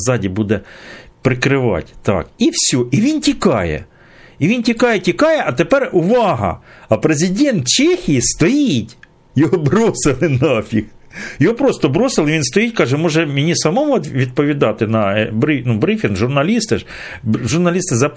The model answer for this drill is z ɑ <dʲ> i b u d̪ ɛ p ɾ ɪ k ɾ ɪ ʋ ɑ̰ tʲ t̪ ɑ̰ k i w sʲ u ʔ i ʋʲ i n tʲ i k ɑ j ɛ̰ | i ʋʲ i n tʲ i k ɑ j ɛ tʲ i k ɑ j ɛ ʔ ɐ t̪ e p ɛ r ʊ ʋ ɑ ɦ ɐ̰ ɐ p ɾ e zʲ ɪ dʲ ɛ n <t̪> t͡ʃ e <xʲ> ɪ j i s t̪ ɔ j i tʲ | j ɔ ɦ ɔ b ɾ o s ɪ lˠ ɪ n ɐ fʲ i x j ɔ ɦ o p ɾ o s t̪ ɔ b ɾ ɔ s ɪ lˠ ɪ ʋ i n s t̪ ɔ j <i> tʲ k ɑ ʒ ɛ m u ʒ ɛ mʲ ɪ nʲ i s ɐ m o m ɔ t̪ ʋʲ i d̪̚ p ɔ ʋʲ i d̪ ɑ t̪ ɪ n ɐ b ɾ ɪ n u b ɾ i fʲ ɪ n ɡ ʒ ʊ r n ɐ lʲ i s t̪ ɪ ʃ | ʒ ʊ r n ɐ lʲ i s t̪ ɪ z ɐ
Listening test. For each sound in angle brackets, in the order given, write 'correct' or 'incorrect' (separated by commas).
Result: correct, correct, correct, correct